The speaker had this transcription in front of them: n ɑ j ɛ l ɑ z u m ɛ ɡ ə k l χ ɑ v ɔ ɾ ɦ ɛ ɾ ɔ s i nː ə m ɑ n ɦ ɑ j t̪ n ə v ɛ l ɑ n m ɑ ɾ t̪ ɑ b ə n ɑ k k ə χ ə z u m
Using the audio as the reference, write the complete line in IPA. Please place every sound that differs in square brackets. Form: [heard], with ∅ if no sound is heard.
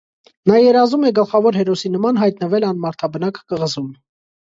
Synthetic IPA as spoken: n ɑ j ɛ [ɾ] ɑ z u m ɛ ɡ ə [∅] l χ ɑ v ɔ ɾ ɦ ɛ ɾ ɔ s i [n] ə m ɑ n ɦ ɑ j t̪ n ə v ɛ l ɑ n m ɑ ɾ [t̪ʰ] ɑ b ə n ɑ k k ə [ʁ] ə z u m